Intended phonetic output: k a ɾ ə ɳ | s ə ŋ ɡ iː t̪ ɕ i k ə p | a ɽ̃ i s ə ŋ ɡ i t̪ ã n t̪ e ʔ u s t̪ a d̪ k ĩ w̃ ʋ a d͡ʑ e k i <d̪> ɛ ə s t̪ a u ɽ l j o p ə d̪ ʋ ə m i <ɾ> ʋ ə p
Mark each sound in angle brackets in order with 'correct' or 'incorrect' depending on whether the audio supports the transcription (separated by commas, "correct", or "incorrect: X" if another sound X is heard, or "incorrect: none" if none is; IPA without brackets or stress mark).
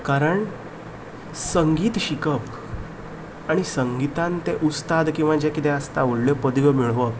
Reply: incorrect: t̪, incorrect: ɭ